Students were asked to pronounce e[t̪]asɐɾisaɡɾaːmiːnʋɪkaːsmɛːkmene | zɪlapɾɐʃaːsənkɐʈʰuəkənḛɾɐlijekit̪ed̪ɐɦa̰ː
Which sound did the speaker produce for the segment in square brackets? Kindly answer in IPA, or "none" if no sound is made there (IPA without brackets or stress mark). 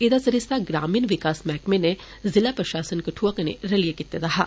d̪